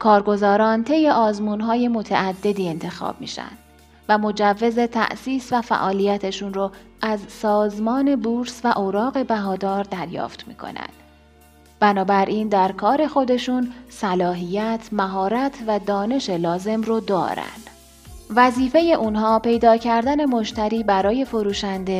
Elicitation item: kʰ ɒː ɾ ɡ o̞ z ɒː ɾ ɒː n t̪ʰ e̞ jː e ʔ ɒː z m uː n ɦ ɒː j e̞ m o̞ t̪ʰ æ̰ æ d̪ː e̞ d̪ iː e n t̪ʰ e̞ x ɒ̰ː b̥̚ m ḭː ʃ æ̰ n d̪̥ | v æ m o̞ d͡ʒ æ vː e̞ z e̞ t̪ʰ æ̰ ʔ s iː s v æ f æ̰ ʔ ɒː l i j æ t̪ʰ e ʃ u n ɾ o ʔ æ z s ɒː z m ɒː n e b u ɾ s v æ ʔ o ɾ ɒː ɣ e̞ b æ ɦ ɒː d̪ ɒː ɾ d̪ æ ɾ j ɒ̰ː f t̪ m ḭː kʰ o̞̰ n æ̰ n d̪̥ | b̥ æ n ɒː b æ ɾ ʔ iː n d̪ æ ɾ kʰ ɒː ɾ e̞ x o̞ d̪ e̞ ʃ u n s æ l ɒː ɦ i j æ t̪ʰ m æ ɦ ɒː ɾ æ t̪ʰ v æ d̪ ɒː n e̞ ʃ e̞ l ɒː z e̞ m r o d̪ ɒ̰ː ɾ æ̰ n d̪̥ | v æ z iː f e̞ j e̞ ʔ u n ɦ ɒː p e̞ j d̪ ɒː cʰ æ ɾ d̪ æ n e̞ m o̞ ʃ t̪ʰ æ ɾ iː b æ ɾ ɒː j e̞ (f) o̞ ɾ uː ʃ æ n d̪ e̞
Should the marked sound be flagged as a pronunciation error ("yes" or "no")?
no